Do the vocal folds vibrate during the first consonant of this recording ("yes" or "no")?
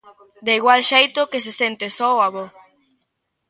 yes